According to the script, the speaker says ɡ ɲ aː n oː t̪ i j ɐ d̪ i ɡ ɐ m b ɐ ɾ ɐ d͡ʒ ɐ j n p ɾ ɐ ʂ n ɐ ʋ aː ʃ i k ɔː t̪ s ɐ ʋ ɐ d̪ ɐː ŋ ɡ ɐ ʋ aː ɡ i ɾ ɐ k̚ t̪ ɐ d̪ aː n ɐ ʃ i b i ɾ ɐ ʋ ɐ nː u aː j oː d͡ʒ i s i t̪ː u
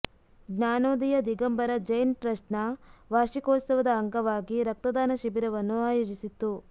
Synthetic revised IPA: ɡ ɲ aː n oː d̪ i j ɐ d̪ i ɡ ɐ m b ɐ ɾ ɐ d͡ʒ ɐ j n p ɾ ɐ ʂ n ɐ ʋ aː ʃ i k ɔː t̪ s ɐ ʋ ɐ d̪ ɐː ŋ ɡ ɐ ʋ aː ɡ i ɾ ɐ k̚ t̪ ɐ d̪ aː n ɐ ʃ i b i ɾ ɐ ʋ ɐ nː u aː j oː d͡ʒ i s i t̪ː u